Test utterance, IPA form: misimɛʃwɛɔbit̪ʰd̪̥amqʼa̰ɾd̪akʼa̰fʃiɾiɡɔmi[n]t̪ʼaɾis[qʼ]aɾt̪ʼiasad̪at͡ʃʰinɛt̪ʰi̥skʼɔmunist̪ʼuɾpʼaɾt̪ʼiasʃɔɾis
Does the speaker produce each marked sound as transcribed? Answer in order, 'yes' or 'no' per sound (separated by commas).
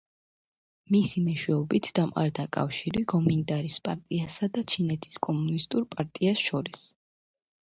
yes, no